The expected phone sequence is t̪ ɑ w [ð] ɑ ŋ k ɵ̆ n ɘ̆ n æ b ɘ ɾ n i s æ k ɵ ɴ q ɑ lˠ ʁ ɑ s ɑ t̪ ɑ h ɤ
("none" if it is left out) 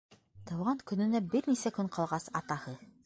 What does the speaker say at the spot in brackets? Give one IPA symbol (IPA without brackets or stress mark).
ʁ